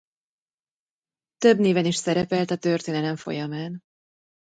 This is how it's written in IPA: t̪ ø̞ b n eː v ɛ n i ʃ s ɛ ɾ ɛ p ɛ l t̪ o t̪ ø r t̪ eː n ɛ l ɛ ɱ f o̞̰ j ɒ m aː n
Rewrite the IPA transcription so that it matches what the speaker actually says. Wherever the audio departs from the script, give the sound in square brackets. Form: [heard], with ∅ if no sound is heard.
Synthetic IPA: t̪ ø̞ b n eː v ɛ n i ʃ s ɛ ɾ ɛ p ɛ l t̪ [ɒ] t̪ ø r t̪ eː n ɛ l ɛ ɱ f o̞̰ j ɒ m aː n